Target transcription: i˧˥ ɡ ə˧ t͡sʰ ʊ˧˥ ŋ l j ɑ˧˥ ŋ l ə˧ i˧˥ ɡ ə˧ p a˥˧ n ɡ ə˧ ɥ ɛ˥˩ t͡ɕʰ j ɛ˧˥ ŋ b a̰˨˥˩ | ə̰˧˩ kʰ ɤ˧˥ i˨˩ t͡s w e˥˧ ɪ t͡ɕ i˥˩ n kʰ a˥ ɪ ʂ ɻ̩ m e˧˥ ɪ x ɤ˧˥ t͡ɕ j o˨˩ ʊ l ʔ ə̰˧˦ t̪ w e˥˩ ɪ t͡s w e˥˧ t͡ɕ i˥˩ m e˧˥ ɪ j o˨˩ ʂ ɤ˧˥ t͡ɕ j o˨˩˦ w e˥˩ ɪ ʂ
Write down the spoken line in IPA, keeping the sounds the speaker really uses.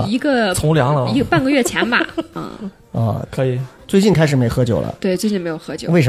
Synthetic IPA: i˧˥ ɡ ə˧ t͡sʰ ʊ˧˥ ŋ l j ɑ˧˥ ŋ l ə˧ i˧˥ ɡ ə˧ p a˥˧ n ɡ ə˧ ɥ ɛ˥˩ t͡ɕʰ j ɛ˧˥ n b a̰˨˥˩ | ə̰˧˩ kʰ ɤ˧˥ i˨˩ t͡s w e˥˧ ɪ t͡ɕ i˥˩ n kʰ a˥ ɪ ʂ ɻ̩ m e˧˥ ɪ x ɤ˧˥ t͡ɕ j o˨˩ ʊ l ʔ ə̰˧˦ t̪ w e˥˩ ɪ t͡s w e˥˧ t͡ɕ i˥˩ m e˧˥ ɪ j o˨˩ x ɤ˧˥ t͡ɕ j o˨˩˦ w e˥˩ ɪ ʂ